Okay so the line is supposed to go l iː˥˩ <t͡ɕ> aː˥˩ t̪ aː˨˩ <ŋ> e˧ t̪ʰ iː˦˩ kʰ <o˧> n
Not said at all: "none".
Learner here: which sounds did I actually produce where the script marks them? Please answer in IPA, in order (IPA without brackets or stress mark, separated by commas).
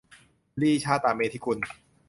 t͡ɕʰ, m, u˧